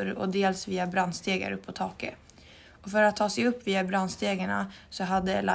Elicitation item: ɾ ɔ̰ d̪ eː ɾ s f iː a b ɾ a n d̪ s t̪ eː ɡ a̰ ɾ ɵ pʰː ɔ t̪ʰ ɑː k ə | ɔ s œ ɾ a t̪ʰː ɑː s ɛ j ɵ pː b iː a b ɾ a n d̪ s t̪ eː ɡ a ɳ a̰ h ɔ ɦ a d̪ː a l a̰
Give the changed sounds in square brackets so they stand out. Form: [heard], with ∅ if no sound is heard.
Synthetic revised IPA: ɾ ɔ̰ d̪ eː [l] s [v] iː a b ɾ a n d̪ s t̪ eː ɡ a̰ ɾ ɵ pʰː ɔ t̪ʰ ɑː k ə | ɔ [f] œ ɾ a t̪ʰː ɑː s ɛ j ɵ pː [v] iː a b ɾ a n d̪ s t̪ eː ɡ a ɳ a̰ [s] ɔ ɦ a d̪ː [ə] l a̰